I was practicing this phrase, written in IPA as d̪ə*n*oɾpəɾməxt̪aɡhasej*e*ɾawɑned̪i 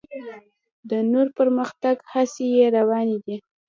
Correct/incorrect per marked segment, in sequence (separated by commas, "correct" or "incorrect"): correct, correct